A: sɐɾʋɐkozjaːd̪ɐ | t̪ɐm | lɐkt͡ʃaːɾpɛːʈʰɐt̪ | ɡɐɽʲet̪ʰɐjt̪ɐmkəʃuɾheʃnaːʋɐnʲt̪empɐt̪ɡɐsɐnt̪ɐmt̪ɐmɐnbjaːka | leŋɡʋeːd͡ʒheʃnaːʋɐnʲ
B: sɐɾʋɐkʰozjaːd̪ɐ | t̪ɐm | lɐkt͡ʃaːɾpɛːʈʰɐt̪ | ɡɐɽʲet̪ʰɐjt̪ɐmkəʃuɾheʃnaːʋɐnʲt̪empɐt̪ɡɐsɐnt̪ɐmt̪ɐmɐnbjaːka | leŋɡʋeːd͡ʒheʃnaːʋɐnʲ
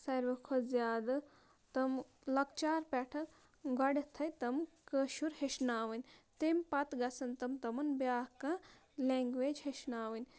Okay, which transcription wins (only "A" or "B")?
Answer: B